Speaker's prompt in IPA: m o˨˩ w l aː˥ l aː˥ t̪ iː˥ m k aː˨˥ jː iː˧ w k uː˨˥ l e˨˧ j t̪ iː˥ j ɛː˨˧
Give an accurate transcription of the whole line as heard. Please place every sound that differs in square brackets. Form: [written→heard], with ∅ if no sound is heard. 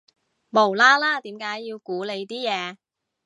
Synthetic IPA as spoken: m o˨˩ w l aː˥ l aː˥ t̪ [iː˥→iː˨˥] m k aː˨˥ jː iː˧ w k uː˨˥ l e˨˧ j t̪ iː˥ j ɛː˨˧

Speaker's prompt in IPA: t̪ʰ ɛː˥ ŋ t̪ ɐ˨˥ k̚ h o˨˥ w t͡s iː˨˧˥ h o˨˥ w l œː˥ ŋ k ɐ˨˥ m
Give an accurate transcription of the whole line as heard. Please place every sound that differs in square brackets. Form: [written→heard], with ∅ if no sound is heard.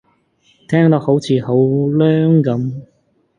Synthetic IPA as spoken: t̪ʰ ɛː˥ ŋ t̪ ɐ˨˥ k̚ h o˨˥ w [t͡s→t͡sʰ] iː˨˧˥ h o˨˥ w l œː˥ ŋ k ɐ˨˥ m

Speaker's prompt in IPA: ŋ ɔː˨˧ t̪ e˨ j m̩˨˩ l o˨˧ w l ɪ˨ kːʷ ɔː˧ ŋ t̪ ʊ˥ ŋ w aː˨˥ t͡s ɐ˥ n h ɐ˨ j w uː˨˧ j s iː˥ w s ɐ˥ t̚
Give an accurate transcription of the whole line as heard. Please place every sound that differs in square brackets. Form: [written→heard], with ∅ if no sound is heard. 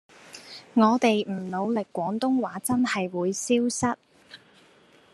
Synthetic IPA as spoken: ŋ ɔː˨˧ t̪ e˨ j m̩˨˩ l o˨˧ w l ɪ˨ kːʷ [ɔː˧→ɔː˨˥] ŋ t̪ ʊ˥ ŋ w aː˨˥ t͡s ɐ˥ n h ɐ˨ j w uː˨˧ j s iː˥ w s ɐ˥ t̚

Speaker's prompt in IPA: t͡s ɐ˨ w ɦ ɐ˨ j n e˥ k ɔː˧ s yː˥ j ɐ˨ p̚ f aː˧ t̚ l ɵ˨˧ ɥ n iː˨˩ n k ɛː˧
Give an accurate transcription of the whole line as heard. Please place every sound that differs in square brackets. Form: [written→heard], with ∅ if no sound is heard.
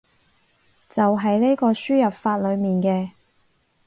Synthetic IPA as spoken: t͡s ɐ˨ w ɦ ɐ˨ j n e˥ k ɔː˧ s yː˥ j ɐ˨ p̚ f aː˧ t̚ l ɵ˨˧ ɥ [n→m] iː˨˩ n k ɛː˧

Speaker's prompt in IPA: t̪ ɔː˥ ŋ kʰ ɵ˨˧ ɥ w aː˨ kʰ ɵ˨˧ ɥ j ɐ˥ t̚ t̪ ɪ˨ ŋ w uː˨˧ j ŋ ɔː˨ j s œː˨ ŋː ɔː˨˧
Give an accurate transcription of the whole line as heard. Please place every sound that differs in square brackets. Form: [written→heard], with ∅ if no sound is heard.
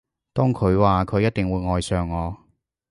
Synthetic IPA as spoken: t̪ ɔː˥ ŋ kʰ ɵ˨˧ ɥ w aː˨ kʰ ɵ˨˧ ɥ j ɐ˥ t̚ t̪ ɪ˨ ŋ w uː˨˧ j ŋ ɔː˨ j s œː˨ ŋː ɔː˨˧

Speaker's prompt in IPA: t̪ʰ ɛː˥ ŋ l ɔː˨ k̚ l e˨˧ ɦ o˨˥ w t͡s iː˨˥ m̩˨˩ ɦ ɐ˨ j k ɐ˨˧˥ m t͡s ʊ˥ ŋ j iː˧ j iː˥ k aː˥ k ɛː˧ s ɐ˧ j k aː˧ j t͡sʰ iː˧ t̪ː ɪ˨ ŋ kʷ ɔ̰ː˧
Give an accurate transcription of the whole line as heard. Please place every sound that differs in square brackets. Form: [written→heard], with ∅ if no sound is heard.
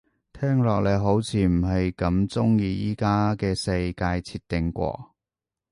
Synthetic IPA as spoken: t̪ʰ ɛː˥ ŋ l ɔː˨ k̚ l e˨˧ ɦ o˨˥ w [t͡s→t͡sʰ] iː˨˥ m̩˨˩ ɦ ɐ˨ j k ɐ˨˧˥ m t͡s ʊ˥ ŋ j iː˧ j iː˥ k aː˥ k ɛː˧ s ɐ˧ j k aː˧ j t͡sʰ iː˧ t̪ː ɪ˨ ŋ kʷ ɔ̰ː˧

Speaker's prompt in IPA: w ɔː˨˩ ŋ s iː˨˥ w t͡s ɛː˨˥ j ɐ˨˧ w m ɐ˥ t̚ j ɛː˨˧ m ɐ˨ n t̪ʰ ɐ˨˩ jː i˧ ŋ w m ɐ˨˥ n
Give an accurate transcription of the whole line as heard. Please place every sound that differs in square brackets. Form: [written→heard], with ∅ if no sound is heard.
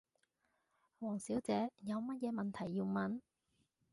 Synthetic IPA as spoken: w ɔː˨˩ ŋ s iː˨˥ w t͡s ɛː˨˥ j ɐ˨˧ w m ɐ˥ t̚ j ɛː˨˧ m ɐ˨ n t̪ʰ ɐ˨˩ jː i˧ [ŋ→∅] w m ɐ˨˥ n

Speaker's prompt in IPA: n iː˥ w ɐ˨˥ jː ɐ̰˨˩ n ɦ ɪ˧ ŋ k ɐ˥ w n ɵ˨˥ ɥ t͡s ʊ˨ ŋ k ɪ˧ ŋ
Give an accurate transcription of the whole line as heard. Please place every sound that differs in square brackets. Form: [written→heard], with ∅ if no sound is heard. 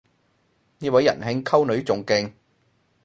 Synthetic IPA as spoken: n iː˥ w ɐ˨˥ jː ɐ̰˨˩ n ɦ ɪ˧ ŋ [k→kʰ] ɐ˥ w n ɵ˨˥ ɥ t͡s ʊ˨ ŋ k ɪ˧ ŋ

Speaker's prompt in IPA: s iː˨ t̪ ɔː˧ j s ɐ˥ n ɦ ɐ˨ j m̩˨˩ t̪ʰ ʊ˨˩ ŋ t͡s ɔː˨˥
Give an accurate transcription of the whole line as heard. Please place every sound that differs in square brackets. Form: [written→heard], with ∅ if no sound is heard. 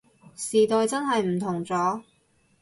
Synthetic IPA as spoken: s iː˨ t̪ ɔː˧ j [s→t͡s] ɐ˥ n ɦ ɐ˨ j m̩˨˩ t̪ʰ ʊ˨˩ ŋ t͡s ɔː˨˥

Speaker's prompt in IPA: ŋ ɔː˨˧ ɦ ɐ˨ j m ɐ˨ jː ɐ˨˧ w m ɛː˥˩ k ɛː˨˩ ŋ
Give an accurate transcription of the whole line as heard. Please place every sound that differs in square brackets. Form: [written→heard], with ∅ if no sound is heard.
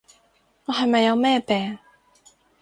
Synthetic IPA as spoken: ŋ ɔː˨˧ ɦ ɐ˨ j m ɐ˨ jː ɐ˨˧ w m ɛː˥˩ [k→p] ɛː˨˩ ŋ

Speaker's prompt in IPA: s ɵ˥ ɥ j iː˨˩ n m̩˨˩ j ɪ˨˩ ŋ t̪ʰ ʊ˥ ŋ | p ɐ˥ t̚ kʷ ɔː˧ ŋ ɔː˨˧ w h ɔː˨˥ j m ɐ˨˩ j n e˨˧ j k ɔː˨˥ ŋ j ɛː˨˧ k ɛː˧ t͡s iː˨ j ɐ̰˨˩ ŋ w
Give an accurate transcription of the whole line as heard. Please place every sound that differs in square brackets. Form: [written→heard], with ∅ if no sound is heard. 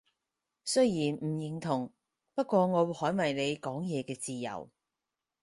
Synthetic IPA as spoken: s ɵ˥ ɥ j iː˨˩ n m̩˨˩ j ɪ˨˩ ŋ t̪ʰ [ʊ˥→ʊ˨˩] ŋ | p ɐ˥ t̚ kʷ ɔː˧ ŋ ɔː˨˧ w h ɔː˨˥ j m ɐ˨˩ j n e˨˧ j k ɔː˨˥ ŋ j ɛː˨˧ k ɛː˧ t͡s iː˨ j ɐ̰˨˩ [ŋ→∅] w

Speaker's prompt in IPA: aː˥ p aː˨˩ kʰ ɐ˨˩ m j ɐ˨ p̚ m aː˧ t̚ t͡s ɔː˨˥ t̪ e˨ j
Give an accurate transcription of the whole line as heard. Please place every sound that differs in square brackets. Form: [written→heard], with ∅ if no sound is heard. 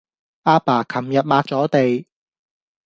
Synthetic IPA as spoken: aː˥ p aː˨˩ kʰ ɐ˨˩ m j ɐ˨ [p̚→t̚] m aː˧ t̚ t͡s ɔː˨˥ t̪ e˨ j

